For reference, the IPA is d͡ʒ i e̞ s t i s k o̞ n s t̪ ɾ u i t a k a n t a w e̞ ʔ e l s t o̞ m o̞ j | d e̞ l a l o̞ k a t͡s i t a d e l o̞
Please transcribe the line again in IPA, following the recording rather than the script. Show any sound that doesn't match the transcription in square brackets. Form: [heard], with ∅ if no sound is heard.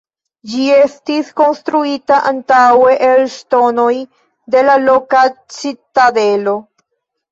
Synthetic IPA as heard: d͡ʒ i e̞ s t i s k o̞ n s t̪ ɾ u i t a [ʔ] a n t a w e̞ ʔ e l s t o̞ [n] o̞ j | d e̞ l a l o̞ k a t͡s i t a d e l o̞